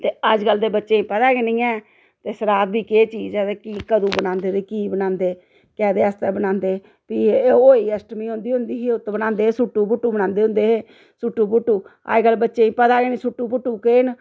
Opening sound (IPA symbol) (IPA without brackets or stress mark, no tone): t̪